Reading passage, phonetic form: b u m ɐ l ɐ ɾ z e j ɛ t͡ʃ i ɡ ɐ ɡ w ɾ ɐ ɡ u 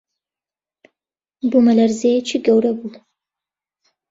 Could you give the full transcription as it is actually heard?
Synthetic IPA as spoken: b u m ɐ l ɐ ɾ z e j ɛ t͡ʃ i ɡ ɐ w ɾ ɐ b u